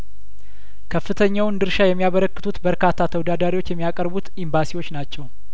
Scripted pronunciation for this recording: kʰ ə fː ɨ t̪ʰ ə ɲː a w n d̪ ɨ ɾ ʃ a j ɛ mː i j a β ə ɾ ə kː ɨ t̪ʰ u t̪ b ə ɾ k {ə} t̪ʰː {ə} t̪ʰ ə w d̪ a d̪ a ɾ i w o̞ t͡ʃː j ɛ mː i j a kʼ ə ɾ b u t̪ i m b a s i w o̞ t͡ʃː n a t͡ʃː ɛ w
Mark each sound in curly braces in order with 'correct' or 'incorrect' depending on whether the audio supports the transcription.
incorrect: a, incorrect: a

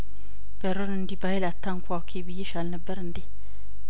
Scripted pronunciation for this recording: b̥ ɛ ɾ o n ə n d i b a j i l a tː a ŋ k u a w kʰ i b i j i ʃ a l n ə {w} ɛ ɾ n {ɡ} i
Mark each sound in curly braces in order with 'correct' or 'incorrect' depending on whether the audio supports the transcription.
incorrect: b, incorrect: d

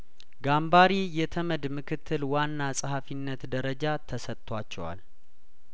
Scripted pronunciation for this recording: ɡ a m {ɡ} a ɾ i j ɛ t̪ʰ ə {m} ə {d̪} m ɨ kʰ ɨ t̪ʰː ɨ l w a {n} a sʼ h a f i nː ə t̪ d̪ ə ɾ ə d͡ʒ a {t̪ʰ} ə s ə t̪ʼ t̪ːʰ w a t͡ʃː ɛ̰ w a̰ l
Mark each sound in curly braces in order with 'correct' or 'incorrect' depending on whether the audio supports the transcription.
incorrect: b, correct, correct, incorrect: nː, correct

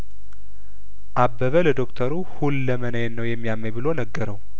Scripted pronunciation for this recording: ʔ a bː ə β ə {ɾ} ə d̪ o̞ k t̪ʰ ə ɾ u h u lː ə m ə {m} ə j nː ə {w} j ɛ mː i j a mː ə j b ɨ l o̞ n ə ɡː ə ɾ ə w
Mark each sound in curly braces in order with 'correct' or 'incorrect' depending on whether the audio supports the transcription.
incorrect: l, incorrect: n, correct

